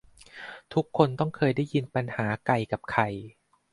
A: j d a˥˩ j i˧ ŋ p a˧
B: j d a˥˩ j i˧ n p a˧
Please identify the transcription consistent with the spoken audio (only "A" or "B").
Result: B